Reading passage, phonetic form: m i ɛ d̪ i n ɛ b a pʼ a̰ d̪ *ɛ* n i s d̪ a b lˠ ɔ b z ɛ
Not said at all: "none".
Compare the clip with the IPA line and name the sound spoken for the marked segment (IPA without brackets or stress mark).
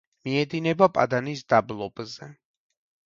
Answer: a